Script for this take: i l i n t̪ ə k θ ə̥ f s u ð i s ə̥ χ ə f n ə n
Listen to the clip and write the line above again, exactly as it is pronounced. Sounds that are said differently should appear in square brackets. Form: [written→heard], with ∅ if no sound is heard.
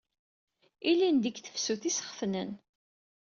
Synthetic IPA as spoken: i l i n [t̪→d̪] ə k θ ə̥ f s u [ð→θ] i s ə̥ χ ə f n ə n